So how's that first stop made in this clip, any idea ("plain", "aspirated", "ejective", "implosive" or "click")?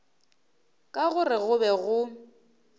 ejective